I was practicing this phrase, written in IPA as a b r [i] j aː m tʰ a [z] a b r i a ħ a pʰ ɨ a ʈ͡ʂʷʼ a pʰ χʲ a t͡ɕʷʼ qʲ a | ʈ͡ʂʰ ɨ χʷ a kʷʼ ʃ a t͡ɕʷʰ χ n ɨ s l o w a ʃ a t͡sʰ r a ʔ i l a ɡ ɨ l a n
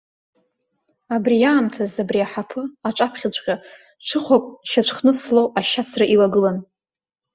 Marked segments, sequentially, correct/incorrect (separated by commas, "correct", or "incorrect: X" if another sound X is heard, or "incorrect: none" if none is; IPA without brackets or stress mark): correct, correct